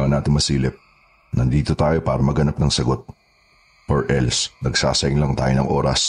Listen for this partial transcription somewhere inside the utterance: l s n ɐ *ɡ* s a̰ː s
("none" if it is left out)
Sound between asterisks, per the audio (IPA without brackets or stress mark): ɡ